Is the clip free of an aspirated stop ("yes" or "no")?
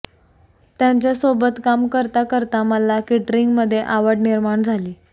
yes